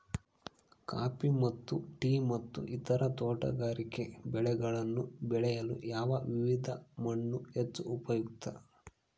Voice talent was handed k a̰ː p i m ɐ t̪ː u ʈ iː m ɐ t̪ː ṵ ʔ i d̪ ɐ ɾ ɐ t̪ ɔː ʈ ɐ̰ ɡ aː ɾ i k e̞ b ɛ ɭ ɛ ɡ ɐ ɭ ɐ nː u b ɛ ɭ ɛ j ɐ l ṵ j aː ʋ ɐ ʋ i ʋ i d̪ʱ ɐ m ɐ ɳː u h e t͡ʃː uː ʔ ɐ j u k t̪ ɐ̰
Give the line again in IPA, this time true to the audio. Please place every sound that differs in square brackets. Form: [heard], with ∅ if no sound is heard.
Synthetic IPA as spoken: k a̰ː p i m ɐ t̪ː u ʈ iː m ɐ t̪ː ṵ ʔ i [t̪] ɐ ɾ ɐ t̪ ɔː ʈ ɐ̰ ɡ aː ɾ i k e̞ b ɛ ɭ ɛ ɡ ɐ ɭ ɐ nː u b ɛ ɭ ɛ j ɐ l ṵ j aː ʋ ɐ ʋ i ʋ i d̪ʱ ɐ m ɐ ɳː u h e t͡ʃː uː [p] ɐ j u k t̪ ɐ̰